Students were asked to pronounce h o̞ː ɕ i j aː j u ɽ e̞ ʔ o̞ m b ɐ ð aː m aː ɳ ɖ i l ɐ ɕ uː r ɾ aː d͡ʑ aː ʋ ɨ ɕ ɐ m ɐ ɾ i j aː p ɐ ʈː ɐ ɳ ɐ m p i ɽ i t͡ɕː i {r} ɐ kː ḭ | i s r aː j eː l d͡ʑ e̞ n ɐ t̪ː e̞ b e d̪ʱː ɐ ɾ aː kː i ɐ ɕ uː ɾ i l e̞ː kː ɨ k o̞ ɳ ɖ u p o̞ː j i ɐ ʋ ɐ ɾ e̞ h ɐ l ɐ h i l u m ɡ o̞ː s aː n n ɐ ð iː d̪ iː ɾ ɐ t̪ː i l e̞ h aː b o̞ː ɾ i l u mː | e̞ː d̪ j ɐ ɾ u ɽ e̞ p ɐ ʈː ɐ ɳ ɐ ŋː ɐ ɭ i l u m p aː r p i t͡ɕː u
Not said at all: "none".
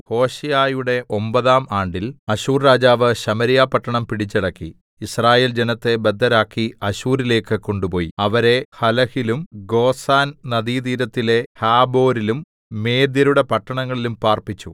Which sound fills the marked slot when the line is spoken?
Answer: ɽ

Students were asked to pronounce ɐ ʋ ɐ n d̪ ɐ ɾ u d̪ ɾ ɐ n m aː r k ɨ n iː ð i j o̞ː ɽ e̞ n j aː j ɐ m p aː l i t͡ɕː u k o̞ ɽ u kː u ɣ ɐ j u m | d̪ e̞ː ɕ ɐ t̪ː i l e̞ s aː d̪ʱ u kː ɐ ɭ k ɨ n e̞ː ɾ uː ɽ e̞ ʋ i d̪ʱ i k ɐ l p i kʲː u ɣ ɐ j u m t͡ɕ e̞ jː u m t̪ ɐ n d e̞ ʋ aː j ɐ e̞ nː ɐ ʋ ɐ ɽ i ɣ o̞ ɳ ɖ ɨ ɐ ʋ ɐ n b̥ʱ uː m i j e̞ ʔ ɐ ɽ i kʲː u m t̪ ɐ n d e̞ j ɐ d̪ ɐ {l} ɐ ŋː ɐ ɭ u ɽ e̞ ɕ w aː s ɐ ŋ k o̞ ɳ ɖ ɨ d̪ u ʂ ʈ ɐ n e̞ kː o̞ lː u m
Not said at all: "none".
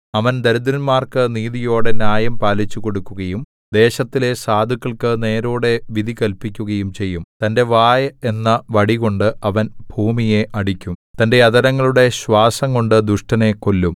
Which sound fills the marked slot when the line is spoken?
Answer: ɾ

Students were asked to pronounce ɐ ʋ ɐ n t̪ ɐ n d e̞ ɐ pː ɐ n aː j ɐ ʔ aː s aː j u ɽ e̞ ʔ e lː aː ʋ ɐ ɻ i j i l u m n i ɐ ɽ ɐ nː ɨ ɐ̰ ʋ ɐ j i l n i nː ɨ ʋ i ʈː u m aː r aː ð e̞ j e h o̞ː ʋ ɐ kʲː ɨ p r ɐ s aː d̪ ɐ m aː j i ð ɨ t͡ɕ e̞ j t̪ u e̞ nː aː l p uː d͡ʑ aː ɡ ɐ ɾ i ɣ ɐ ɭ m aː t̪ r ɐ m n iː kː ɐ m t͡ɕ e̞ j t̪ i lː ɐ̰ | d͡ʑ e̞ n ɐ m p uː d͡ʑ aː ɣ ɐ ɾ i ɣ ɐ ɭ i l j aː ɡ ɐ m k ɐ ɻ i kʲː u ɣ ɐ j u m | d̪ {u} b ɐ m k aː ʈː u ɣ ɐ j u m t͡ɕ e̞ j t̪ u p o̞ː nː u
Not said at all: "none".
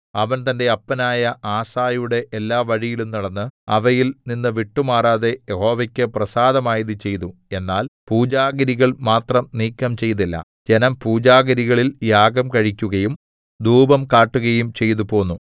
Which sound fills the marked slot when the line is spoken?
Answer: uː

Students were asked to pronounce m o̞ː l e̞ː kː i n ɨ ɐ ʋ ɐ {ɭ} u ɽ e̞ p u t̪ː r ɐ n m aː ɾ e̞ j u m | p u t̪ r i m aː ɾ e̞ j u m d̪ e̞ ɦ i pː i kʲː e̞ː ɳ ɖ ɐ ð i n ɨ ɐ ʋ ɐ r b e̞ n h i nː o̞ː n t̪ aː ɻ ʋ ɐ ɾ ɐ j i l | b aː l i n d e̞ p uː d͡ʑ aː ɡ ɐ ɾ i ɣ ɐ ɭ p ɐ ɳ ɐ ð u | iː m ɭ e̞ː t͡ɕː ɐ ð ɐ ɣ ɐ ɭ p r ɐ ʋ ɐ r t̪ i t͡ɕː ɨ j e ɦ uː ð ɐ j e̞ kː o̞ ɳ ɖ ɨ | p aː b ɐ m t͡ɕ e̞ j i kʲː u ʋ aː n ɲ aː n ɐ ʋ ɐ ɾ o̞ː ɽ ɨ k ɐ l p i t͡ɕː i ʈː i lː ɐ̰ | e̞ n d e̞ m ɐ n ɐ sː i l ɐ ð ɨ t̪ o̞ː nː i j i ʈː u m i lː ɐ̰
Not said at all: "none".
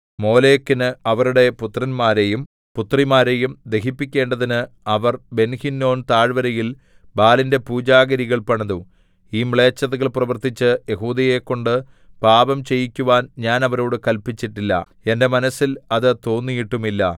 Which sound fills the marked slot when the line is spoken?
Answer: ɾ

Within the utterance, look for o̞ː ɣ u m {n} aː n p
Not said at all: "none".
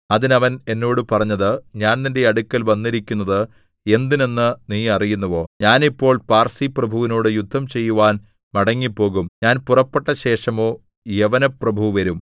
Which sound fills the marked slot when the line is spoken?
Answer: ɲ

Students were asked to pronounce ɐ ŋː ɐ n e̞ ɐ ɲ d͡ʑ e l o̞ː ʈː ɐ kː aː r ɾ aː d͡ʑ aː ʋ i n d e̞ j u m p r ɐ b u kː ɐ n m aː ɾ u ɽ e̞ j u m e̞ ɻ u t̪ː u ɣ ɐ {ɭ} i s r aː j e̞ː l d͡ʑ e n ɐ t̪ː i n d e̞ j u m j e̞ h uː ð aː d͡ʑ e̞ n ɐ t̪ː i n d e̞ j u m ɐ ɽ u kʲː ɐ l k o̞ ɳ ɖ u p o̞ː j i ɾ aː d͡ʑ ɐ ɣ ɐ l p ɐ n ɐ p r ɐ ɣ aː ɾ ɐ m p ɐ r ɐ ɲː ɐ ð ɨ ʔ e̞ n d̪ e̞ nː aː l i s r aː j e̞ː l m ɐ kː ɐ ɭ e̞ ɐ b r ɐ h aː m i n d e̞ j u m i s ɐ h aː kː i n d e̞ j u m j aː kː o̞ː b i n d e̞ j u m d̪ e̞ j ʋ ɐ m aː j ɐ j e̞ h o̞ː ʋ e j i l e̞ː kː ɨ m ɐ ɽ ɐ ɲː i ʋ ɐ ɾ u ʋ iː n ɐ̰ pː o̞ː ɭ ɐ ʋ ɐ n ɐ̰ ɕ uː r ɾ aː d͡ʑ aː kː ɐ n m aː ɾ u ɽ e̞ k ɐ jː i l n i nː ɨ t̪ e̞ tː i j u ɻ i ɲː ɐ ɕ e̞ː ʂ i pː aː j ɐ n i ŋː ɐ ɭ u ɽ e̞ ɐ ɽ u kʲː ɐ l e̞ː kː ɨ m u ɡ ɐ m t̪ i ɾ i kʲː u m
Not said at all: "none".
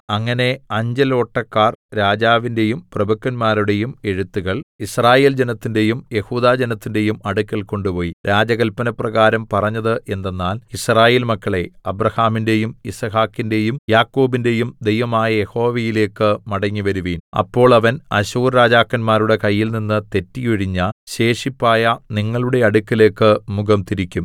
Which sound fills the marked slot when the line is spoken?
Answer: ɭ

